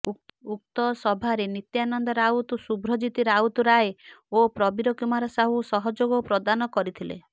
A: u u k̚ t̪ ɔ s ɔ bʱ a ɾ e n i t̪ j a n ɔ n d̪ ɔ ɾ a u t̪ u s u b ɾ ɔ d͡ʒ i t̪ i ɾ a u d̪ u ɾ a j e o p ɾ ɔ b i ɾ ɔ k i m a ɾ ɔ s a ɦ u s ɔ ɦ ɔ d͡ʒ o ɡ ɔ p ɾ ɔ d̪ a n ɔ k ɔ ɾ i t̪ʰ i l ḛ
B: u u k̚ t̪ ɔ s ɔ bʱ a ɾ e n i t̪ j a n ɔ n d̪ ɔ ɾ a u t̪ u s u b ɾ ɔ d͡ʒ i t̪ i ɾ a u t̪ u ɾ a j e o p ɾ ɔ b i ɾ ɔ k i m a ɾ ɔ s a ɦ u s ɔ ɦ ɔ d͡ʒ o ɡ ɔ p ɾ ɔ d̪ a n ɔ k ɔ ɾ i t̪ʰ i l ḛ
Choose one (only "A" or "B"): B